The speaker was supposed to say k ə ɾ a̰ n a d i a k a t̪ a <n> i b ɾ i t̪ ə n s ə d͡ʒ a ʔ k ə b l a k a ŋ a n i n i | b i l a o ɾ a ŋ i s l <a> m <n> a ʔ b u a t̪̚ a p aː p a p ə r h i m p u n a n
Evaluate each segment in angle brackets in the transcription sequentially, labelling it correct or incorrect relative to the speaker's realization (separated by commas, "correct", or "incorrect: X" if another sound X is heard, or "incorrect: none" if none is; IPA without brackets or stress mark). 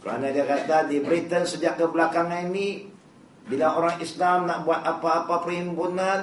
incorrect: d, correct, correct